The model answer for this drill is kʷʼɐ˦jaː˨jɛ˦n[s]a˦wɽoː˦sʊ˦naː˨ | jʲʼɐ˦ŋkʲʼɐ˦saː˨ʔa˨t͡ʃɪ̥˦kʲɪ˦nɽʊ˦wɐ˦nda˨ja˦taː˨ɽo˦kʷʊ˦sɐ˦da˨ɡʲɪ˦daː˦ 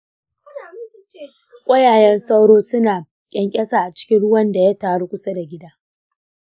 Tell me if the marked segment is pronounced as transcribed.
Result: yes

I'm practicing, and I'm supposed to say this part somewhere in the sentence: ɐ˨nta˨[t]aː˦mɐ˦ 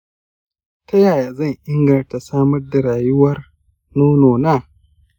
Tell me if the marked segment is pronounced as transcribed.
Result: no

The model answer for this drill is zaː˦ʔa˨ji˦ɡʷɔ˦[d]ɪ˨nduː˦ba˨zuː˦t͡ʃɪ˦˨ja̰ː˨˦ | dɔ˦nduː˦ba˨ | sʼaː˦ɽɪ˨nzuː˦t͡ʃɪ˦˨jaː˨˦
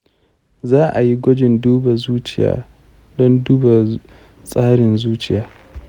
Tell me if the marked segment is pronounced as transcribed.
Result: no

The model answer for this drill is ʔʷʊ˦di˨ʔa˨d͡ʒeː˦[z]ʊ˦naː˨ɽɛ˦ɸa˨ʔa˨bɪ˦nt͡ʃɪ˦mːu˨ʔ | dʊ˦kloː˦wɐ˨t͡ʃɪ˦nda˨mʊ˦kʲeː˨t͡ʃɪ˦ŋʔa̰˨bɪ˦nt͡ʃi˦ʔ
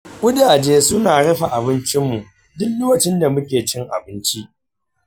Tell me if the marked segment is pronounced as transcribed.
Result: no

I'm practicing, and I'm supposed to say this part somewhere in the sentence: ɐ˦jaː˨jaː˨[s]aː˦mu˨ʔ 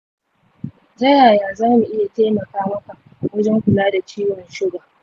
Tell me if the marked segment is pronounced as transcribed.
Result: no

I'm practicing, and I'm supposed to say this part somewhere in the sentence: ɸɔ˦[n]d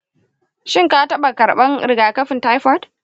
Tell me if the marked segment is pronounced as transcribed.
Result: no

